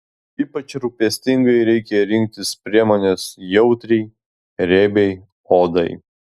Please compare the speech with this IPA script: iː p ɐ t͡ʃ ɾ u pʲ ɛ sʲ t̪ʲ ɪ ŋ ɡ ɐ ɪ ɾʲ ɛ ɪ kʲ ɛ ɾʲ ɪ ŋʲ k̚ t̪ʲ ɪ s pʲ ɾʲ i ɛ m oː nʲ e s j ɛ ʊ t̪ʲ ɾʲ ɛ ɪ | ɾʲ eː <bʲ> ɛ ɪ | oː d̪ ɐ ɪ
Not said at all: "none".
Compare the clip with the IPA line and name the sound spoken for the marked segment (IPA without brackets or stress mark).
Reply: bʲ